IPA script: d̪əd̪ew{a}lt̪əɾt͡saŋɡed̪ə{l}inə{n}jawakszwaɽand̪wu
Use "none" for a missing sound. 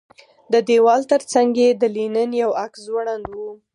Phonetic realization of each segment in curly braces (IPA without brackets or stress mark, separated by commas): ɑ, l, n